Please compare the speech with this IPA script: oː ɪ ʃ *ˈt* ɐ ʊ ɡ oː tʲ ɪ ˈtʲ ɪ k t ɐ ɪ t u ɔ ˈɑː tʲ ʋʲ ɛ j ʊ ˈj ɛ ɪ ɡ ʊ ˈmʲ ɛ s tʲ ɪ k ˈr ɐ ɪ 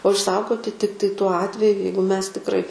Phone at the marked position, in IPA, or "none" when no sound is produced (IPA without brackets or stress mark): s